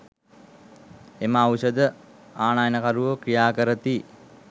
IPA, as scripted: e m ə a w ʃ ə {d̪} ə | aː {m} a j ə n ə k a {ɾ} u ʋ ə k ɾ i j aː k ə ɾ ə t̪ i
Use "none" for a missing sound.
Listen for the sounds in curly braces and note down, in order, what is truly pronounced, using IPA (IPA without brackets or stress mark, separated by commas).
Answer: d̪, n, ɾ